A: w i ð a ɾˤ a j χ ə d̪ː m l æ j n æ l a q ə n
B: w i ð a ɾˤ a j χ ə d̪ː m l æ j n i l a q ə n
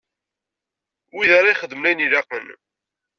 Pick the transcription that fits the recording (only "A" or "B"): B